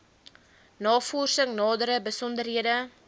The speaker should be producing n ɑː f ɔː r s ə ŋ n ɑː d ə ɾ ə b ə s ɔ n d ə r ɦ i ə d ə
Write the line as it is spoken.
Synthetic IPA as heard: n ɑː f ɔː r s ə ŋ n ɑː d ə ɾ ə b ə s ɔ n d ə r ɦ i ə d ə